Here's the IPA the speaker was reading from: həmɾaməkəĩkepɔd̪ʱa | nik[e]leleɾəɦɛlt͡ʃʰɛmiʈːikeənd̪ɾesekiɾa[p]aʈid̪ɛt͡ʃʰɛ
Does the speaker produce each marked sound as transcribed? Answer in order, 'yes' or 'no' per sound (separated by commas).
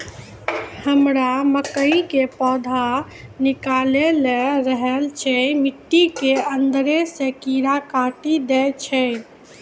no, no